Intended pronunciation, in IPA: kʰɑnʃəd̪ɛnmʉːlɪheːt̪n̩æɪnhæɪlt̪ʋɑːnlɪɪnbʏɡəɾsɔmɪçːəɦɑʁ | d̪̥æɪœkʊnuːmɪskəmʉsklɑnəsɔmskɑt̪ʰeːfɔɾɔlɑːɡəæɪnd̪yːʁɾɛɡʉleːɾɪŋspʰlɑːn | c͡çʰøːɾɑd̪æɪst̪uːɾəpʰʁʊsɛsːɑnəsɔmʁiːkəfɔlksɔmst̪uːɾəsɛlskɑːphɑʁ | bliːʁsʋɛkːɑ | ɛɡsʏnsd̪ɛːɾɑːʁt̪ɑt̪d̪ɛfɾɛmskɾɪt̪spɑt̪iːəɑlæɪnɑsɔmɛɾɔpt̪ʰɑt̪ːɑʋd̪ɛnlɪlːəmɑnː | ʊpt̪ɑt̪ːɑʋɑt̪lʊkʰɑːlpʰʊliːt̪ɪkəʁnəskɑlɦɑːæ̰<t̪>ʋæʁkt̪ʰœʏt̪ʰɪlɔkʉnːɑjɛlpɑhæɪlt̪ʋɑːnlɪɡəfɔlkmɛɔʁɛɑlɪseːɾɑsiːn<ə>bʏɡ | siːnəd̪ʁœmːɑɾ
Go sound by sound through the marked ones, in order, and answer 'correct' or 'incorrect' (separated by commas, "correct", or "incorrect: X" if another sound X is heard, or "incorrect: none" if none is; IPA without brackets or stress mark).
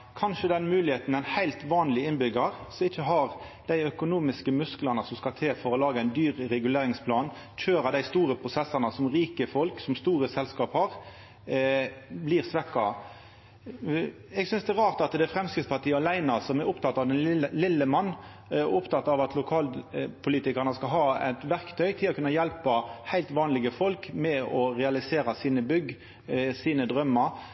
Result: correct, correct